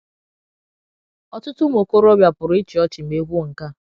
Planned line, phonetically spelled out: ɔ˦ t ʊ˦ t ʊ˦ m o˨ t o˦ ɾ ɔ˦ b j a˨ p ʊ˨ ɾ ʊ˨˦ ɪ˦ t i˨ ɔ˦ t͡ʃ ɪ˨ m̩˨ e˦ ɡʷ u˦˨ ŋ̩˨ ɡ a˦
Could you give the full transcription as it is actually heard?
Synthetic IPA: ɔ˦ t ʊ˦ t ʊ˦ m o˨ k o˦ ɾ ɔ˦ b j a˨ p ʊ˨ ɾ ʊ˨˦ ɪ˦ t͡ʃ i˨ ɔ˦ t͡ʃ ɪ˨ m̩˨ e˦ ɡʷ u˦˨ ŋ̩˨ k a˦